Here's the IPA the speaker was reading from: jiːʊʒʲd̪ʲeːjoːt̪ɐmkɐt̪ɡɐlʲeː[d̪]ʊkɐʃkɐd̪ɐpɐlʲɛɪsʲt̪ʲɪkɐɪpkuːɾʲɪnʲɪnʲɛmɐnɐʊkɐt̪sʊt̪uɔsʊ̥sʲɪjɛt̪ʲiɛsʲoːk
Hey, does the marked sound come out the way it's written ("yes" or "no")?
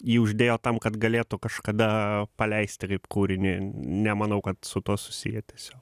no